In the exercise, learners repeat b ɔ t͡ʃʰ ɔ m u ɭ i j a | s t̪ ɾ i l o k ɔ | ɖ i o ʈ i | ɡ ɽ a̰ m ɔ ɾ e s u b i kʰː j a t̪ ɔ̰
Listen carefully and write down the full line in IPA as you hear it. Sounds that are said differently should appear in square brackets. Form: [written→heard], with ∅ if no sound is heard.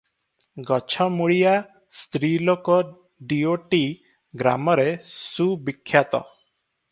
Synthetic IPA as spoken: [b→ɡ] ɔ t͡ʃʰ ɔ m u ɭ i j a | s t̪ ɾ i l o k ɔ | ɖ i o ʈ i | ɡ [ɽ→ɾ] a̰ m ɔ ɾ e s u b i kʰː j a t̪ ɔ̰

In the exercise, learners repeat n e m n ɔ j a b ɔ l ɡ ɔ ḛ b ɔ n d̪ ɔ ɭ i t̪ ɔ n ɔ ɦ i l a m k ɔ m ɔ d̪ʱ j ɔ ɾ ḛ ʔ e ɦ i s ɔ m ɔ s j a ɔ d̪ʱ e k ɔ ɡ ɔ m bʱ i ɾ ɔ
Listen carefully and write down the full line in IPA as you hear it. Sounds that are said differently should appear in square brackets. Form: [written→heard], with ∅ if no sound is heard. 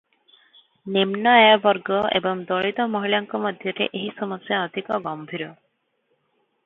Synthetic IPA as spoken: n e m n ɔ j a b ɔ [l→ɾ] ɡ ɔ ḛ b ɔ [n→ŋ] d̪ ɔ ɭ i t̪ ɔ [n→m] ɔ ɦ i l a [m→ŋ] k ɔ m ɔ d̪ʱ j ɔ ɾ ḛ ʔ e ɦ i s ɔ m ɔ s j a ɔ d̪ʱ [e→i] k ɔ ɡ ɔ m bʱ i ɾ ɔ

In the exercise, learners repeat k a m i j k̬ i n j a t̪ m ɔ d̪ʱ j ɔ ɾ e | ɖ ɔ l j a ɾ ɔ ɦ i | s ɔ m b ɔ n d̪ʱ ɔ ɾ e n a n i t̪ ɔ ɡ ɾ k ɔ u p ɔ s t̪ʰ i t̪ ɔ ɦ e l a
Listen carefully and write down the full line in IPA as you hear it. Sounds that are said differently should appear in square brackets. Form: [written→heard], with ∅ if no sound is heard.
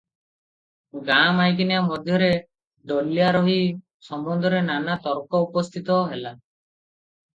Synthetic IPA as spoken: [k→ɡ] a m [i→a] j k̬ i n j a [t̪→∅] m ɔ d̪ʱ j ɔ ɾ e | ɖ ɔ l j a ɾ ɔ ɦ i | s ɔ m b ɔ n d̪ʱ ɔ ɾ e n a n [i→a] t̪ ɔ [ɡ→∅] ɾ k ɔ u p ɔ s t̪ʰ i t̪ ɔ ɦ e l a

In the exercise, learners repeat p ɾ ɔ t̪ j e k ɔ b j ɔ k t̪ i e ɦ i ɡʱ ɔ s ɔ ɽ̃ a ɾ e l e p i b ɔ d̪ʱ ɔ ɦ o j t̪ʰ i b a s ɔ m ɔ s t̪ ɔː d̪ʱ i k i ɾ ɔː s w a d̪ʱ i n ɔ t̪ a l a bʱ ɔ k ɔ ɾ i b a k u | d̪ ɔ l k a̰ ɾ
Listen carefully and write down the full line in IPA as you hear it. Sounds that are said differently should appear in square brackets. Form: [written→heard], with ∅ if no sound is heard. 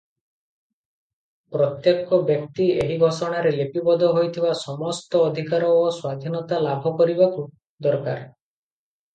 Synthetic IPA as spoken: p ɾ ɔ t̪ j e k ɔ b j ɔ k t̪ i e ɦ i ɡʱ ɔ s ɔ ɽ̃ a ɾ e l e p i b ɔ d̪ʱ ɔ ɦ o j t̪ʰ i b a s ɔ m ɔ s t̪ ɔː d̪ʱ i k [i→a] ɾ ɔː s w a d̪ʱ i n ɔ t̪ a l a bʱ ɔ k ɔ ɾ i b a k u | d̪ ɔ [l→ɾ] k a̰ ɾ

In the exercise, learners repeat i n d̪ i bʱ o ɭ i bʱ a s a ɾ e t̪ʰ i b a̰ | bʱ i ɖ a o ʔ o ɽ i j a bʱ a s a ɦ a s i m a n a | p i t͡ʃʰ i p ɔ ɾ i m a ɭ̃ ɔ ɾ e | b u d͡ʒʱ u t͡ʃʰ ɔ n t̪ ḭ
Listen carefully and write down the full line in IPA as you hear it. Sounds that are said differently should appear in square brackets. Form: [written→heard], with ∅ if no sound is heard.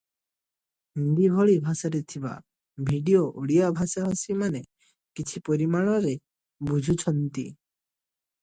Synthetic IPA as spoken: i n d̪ i bʱ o ɭ i bʱ a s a ɾ e t̪ʰ i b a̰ | bʱ i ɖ [a→i] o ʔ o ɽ i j a bʱ a s a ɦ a s i m a n [a→e] | [p→k] i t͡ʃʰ i p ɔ ɾ i m a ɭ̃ ɔ ɾ e | b u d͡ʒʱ u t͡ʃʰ ɔ n t̪ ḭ

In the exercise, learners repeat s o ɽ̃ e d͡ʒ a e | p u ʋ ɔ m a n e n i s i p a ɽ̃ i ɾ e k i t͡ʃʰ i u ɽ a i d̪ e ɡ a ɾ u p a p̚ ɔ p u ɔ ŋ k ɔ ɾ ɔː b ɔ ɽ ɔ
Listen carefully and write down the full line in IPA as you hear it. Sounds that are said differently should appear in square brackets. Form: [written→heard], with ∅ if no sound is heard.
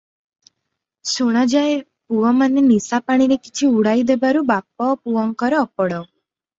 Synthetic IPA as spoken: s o ɽ̃ [e→a] d͡ʒ a e | p u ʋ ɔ m a n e n i s [i→a] p a ɽ̃ i ɾ e k i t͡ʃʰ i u ɽ a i d̪ e [ɡ→b] a ɾ u [p→b] a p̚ ɔ p u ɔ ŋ k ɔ ɾ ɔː [b→p] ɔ ɽ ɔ

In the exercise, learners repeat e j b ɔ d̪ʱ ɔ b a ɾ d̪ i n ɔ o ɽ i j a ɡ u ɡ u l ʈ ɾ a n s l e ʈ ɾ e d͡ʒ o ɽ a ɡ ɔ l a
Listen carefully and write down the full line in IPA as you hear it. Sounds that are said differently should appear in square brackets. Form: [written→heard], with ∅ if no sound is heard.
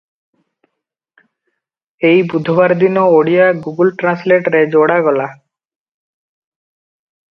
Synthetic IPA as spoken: e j b [ɔ→u] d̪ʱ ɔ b a ɾ d̪ i n ɔ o ɽ i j a ɡ u ɡ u l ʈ ɾ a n s l e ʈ ɾ e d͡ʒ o ɽ a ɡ ɔ l a

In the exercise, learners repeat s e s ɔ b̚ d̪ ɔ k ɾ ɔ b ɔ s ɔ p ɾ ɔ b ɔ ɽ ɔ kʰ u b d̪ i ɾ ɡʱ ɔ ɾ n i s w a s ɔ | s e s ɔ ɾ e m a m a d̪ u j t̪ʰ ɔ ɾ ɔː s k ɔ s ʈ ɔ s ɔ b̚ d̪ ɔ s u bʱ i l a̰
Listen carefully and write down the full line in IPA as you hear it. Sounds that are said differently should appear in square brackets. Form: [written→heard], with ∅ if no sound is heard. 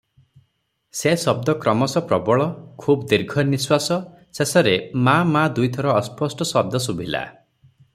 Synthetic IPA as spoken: s e s ɔ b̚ d̪ ɔ k ɾ ɔ [b→m] ɔ s ɔ p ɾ ɔ b ɔ [ɽ→ɭ] ɔ kʰ u b d̪ i ɾ ɡʱ ɔ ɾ n i s w a s ɔ | s e s ɔ ɾ e m a m a d̪ u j t̪ʰ ɔ ɾ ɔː s [k→p] ɔ s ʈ ɔ s ɔ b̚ d̪ ɔ s u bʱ i l a̰

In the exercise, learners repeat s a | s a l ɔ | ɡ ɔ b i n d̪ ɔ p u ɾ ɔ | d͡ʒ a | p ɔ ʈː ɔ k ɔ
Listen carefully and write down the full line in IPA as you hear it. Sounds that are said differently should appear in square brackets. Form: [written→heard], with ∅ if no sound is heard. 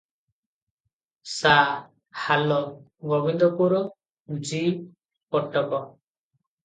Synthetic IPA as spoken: s a | [s→h] a l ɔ | ɡ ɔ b i n d̪ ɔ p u ɾ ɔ | d͡ʒ [a→i] | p ɔ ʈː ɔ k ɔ

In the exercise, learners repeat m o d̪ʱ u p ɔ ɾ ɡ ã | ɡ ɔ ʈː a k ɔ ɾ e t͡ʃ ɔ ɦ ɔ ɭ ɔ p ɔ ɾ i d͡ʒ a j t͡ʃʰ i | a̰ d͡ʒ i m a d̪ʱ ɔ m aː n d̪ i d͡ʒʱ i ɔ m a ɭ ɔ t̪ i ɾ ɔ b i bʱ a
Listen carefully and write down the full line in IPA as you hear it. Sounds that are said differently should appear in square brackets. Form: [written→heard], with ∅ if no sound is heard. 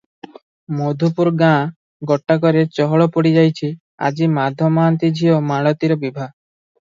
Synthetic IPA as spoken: m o d̪ʱ u p [ɔ→u] ɾ ɡ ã | ɡ ɔ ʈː a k ɔ ɾ e t͡ʃ ɔ ɦ ɔ ɭ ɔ p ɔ [ɾ→ɽ] i d͡ʒ a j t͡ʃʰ i | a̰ d͡ʒ i m a d̪ʱ ɔ m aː n [d̪→t̪] i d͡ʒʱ i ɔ m a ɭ ɔ t̪ i ɾ ɔ b i bʱ a

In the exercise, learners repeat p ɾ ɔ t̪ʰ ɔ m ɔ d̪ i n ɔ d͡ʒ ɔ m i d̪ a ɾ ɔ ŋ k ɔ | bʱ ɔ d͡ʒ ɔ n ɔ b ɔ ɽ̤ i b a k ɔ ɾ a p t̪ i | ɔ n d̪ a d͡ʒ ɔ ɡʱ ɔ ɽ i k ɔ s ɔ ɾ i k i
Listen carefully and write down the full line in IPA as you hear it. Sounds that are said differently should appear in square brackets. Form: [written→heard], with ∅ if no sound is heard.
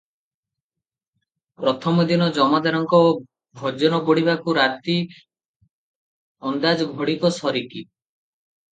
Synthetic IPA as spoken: p ɾ ɔ t̪ʰ ɔ m ɔ d̪ i n ɔ d͡ʒ ɔ m [i→a] d̪ a ɾ ɔ ŋ k ɔ | bʱ ɔ d͡ʒ ɔ n ɔ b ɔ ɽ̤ i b a k [ɔ→u] ɾ a [p→∅] t̪ i | ɔ n d̪ a d͡ʒ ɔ ɡʱ ɔ ɽ i k ɔ s ɔ ɾ i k i

